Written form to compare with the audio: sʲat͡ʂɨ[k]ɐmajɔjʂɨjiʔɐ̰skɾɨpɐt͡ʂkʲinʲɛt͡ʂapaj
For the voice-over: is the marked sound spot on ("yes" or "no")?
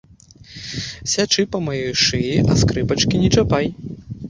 no